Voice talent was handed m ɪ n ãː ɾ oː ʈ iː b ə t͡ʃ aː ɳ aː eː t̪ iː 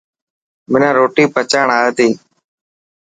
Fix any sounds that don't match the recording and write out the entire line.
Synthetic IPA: m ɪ n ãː ɾ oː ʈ iː p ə t͡ʃ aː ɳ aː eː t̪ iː

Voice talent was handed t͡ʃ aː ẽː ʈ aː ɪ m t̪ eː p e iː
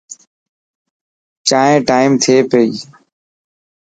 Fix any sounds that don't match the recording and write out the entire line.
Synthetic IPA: t͡ʃ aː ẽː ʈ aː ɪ m t̪ʰ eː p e iː

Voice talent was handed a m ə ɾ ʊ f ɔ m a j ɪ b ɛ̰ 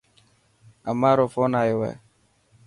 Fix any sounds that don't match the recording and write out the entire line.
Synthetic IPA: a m a ɾ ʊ f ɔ n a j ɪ w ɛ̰

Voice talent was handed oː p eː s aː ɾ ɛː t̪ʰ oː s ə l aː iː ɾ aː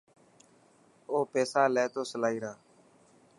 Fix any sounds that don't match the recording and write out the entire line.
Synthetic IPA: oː p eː s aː l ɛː t̪ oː s ə l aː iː ɾ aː

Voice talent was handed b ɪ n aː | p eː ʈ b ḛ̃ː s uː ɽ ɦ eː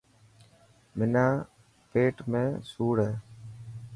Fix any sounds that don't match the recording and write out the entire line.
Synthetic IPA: m ɪ n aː | p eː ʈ m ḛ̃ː s uː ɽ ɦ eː

